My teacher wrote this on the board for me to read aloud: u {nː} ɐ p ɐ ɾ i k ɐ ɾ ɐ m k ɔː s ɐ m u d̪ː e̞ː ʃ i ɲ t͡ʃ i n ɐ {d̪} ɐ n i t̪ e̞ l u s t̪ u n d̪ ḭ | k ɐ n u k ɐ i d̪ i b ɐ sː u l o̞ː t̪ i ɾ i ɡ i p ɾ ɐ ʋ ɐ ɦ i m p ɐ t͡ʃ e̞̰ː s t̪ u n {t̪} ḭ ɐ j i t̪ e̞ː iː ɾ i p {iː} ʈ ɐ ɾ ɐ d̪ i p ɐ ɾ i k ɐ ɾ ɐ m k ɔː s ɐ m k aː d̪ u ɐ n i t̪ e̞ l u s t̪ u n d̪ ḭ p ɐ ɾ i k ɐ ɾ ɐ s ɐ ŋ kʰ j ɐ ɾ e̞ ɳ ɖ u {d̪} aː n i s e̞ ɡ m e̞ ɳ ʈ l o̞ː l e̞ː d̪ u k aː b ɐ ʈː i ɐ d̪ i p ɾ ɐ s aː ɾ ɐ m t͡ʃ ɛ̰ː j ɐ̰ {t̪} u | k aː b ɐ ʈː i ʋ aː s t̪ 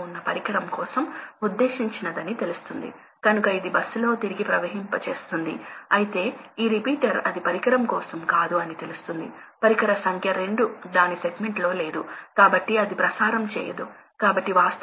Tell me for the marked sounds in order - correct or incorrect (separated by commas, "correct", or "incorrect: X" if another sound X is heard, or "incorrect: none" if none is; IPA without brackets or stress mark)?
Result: correct, correct, incorrect: d̪, correct, correct, incorrect: d̪